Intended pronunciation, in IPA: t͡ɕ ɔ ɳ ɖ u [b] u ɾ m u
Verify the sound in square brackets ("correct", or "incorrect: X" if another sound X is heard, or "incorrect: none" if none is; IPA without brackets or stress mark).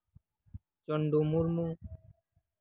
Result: incorrect: m